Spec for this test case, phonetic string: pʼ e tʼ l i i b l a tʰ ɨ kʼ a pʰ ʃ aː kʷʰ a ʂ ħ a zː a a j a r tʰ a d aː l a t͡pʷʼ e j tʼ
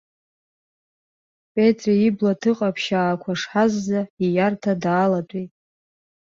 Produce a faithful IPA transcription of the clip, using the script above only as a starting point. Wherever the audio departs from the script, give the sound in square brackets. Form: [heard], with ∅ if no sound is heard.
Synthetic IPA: pʼ e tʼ [r] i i b l a tʰ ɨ [qʼ] a pʰ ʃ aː kʷʰ a ʂ ħ a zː a [i] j a r tʰ a d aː l a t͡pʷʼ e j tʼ